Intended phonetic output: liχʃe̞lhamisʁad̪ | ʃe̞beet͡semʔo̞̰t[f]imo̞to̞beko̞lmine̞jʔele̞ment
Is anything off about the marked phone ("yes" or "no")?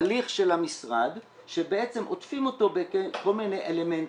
no